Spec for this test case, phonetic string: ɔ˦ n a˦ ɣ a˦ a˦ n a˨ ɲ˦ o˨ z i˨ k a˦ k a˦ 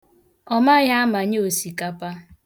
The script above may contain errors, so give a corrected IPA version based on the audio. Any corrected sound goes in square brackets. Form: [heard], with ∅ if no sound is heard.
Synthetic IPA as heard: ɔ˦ [m] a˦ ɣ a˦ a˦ [m] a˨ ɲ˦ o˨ [s] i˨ k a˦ [p] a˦